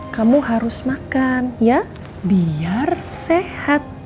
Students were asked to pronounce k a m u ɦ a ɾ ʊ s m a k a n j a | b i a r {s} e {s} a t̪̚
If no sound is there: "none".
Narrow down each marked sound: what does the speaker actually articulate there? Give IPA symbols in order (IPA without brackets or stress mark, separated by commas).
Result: s, h